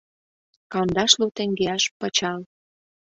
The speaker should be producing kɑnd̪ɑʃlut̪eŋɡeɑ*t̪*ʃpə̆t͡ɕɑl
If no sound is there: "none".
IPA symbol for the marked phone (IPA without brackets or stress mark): none